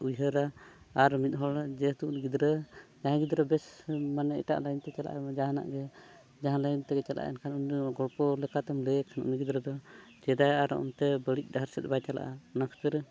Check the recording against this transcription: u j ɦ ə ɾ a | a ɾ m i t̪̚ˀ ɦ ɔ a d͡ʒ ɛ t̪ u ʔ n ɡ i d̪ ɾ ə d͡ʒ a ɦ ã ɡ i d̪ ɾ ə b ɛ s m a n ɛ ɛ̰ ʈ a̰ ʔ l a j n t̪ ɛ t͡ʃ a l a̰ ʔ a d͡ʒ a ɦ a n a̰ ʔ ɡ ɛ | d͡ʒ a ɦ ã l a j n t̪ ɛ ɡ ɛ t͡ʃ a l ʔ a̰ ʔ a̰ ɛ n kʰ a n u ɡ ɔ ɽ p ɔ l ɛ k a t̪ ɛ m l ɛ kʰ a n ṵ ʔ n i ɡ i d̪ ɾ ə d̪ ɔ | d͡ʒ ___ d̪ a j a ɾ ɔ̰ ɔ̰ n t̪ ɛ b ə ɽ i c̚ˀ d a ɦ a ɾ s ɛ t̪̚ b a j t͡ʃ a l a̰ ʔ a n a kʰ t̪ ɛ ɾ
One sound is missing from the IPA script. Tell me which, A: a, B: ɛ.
B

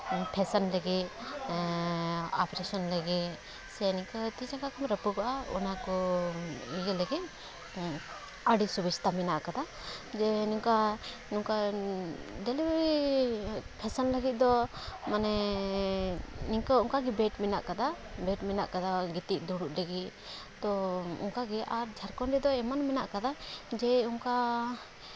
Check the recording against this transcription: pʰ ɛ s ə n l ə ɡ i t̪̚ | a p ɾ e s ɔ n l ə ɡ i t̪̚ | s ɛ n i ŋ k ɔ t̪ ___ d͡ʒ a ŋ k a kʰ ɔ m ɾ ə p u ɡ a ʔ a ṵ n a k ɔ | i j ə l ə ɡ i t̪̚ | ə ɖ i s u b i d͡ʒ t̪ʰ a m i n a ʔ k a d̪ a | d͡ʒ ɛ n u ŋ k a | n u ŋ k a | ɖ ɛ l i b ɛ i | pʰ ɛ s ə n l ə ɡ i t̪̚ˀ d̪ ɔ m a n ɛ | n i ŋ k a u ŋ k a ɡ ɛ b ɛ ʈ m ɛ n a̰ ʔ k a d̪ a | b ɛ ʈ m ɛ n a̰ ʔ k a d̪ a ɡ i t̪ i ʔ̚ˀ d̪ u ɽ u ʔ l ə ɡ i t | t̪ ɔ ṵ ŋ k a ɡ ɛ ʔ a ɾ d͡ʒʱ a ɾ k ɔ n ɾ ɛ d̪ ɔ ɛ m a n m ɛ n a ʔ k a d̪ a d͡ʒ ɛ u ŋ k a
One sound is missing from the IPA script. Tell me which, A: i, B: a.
A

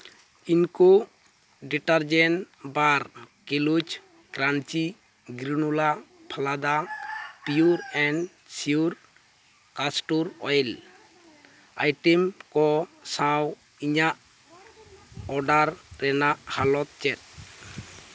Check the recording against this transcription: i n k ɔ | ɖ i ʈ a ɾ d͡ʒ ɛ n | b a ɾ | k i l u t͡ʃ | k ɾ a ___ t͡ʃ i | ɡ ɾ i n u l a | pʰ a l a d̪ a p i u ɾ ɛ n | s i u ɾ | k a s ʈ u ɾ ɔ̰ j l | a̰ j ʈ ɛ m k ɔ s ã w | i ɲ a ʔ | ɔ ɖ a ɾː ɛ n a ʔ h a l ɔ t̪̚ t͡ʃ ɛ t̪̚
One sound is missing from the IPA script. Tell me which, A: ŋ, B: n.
B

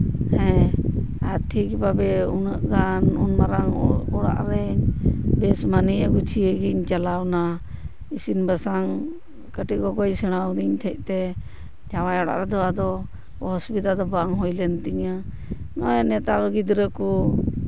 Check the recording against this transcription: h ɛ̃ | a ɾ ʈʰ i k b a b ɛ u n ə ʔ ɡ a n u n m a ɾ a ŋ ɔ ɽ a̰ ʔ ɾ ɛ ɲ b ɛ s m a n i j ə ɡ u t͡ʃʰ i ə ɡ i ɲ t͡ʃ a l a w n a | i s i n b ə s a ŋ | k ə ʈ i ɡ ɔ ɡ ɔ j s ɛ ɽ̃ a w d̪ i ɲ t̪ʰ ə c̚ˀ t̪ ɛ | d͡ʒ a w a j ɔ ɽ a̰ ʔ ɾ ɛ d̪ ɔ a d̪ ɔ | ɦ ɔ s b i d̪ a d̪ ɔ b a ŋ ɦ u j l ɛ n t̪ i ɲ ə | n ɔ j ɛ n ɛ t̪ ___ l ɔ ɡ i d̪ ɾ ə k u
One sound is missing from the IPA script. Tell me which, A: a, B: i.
A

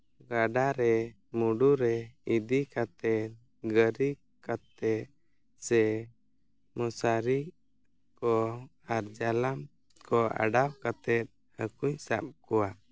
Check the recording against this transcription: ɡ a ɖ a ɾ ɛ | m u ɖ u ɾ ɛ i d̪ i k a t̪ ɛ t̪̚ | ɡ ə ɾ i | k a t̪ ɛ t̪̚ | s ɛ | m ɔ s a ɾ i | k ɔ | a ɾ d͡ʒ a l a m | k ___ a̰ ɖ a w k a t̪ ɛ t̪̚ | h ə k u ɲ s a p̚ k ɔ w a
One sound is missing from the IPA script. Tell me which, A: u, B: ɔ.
B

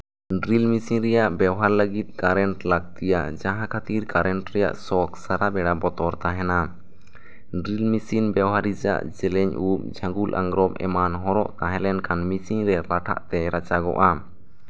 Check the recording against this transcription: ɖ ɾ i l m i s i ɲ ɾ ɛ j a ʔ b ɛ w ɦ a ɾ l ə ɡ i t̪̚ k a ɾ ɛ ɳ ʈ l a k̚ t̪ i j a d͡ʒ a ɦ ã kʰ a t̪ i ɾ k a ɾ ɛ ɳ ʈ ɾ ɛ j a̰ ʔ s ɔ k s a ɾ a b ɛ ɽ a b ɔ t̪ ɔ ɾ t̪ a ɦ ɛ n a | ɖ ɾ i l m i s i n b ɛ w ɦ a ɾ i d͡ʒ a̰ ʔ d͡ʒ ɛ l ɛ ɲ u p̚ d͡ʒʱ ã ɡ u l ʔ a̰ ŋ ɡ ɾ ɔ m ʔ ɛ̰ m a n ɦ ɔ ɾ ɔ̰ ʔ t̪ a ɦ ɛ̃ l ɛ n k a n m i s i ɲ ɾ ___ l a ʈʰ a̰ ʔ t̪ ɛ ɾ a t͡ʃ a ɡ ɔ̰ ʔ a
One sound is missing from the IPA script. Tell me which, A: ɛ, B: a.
A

